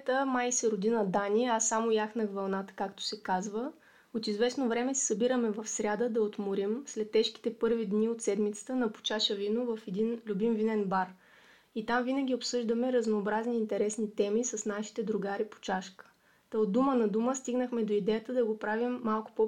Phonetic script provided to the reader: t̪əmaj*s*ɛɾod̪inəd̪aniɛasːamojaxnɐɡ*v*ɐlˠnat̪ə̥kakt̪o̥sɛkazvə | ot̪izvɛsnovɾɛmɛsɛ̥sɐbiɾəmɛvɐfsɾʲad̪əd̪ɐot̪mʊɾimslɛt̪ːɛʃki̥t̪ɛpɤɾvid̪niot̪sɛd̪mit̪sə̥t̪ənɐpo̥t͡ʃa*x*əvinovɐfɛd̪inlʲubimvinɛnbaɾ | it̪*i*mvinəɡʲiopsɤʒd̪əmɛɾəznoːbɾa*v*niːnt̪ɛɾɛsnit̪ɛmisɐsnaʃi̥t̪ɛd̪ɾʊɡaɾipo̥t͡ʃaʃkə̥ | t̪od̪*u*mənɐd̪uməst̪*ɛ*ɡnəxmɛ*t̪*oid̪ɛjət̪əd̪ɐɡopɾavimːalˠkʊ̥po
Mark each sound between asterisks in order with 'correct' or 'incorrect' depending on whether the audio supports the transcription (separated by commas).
correct, correct, incorrect, incorrect, incorrect, correct, incorrect, incorrect